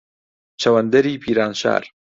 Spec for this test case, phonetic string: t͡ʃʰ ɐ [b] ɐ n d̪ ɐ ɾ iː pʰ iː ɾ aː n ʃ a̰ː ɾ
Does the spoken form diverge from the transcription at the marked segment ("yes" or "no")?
yes